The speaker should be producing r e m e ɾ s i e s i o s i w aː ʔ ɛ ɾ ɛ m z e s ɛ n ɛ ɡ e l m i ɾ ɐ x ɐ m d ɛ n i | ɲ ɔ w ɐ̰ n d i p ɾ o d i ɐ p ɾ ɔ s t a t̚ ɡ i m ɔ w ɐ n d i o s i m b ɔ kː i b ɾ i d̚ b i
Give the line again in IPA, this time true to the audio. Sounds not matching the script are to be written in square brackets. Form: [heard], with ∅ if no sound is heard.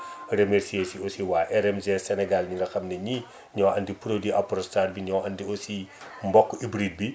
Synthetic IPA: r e m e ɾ s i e s i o s i w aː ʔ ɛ ɾ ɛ m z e s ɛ n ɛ ɡ [a] l [ɲ] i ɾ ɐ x ɐ m [n] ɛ [ɲ] i | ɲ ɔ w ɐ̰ n d i p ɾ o d i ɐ p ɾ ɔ s t a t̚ [b] i [ɲ] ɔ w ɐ n d i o s i m b ɔ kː i b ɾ i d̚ b i